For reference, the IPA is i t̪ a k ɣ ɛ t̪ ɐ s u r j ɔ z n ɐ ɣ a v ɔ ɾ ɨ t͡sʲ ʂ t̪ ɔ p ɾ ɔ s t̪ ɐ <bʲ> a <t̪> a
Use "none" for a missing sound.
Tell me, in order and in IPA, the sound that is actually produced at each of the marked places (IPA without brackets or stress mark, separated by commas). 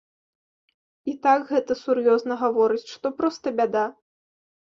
bʲ, d̪